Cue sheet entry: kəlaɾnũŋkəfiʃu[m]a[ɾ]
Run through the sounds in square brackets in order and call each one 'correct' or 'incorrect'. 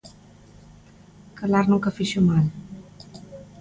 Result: correct, incorrect

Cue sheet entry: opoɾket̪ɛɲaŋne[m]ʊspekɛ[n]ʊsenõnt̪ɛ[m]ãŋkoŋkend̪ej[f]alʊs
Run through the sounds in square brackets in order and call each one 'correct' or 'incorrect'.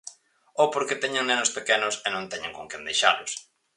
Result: incorrect, correct, incorrect, incorrect

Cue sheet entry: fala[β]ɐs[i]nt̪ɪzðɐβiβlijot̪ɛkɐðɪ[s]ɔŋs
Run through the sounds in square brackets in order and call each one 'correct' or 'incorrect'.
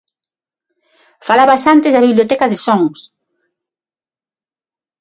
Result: correct, incorrect, correct

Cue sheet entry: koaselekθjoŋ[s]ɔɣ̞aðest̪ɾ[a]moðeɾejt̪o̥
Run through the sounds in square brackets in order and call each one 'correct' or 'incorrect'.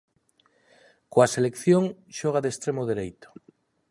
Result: incorrect, incorrect

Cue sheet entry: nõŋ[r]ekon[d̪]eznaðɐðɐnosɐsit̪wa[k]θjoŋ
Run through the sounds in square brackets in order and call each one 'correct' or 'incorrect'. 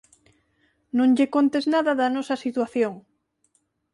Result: incorrect, incorrect, incorrect

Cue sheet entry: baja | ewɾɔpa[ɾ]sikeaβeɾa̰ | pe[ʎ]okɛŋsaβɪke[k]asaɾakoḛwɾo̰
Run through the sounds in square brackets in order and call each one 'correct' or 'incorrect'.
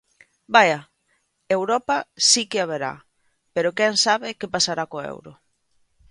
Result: incorrect, incorrect, incorrect

